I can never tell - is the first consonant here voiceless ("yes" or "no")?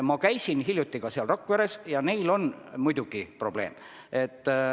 no